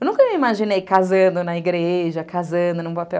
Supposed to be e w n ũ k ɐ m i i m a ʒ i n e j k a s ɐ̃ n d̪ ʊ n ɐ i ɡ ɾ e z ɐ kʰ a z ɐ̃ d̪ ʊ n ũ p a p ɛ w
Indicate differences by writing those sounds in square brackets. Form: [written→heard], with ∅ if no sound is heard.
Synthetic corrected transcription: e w n ũ k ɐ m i i m a ʒ i n e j k a [s→z] ɐ̃ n d̪ ʊ n ɐ i ɡ ɾ e [z→ʒ] ɐ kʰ a z ɐ̃ d̪ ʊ n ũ p a p ɛ w

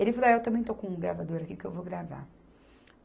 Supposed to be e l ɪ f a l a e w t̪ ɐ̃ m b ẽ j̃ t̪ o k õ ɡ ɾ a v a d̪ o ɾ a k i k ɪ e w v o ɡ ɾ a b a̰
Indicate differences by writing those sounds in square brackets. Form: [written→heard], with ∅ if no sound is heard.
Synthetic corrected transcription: e l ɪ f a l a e w t̪ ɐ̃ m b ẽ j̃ t̪ o k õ ɡ ɾ a v a d̪ o ɾ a k i k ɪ e w v o ɡ ɾ a [b→v] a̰

